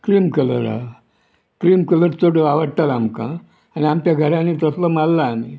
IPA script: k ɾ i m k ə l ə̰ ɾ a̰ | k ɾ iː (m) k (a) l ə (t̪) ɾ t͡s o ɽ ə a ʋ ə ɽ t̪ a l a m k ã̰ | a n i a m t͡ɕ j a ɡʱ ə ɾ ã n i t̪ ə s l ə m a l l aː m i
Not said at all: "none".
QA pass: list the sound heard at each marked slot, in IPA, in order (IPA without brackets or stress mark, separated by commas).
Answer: m, ə, none